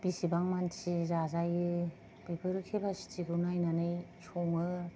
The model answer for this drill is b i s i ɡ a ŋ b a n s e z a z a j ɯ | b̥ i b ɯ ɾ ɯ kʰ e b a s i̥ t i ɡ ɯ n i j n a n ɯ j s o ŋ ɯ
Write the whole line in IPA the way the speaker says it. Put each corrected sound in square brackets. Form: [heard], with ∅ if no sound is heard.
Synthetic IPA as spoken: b i s i [b] a ŋ [m] a n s [i] z a z a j ɯ | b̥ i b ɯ ɾ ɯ kʰ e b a s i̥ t i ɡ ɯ n [a] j n a n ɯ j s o ŋ ɯ